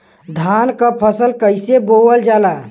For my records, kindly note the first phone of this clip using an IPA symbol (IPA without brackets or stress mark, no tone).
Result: d̪ʱ